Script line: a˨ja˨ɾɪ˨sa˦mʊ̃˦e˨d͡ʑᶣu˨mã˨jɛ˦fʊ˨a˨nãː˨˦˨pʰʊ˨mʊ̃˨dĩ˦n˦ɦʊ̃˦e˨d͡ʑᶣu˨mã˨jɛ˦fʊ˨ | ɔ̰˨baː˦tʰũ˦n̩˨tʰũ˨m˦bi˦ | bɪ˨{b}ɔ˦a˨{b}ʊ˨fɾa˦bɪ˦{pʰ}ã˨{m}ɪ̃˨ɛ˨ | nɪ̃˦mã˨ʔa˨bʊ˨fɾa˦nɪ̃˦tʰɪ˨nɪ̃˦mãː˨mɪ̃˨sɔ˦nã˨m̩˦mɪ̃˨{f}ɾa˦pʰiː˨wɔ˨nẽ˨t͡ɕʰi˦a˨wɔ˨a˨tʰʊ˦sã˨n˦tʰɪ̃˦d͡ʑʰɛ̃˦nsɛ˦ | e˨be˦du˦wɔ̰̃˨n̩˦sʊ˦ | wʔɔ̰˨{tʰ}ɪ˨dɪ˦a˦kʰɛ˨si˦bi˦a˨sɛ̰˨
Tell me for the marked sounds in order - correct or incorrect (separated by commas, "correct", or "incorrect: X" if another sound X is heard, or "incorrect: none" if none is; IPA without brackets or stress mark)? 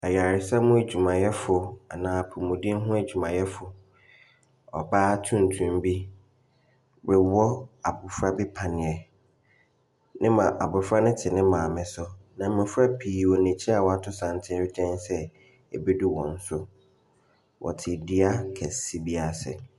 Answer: incorrect: w, correct, correct, incorrect: n, correct, correct